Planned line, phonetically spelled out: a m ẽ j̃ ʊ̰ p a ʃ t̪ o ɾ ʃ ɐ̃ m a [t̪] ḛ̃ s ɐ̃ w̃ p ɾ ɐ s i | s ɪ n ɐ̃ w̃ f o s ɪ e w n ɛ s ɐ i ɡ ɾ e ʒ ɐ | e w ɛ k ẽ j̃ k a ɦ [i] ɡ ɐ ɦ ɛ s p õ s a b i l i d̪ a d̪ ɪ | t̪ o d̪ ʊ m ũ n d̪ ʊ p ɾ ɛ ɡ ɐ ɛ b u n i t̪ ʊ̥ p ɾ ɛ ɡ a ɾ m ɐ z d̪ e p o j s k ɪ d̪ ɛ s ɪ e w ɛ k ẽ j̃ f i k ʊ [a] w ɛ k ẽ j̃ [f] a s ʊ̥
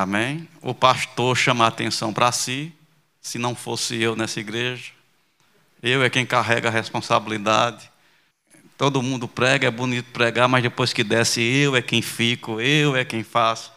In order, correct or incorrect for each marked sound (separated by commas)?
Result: correct, incorrect, incorrect, correct